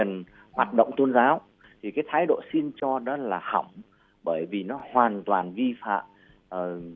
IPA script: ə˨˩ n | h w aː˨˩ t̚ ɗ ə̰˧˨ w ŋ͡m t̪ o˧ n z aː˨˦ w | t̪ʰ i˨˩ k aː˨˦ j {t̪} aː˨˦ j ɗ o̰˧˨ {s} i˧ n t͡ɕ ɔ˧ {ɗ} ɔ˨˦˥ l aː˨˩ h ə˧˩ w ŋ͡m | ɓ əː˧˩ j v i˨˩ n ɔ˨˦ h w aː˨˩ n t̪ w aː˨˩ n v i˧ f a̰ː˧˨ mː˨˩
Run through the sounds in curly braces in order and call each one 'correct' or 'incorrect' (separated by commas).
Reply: incorrect, correct, correct